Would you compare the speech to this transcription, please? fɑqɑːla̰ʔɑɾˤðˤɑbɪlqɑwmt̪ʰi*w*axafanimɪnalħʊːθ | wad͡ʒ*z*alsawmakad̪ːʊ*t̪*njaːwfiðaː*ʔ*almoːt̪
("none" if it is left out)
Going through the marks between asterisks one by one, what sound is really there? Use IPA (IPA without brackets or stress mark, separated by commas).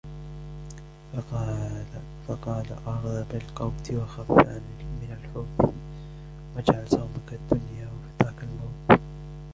w, ʕ, none, k